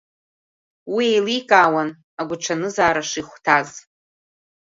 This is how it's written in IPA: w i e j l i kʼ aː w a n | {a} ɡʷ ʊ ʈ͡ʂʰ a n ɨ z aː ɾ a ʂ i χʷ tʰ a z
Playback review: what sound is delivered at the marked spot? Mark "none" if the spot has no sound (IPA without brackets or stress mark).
a